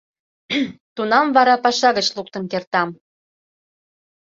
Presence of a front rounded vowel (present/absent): absent